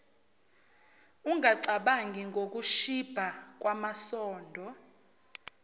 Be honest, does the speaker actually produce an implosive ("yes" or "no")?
yes